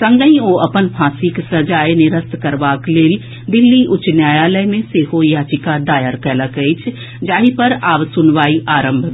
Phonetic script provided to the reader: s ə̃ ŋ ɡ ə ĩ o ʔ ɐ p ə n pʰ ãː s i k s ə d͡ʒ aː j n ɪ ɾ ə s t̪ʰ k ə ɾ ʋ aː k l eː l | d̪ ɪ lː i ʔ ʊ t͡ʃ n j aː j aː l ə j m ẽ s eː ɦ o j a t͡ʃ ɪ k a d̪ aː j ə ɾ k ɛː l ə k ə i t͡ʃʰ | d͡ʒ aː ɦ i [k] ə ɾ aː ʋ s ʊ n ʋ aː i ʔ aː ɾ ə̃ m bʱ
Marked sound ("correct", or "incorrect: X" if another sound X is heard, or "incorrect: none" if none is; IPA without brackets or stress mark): incorrect: p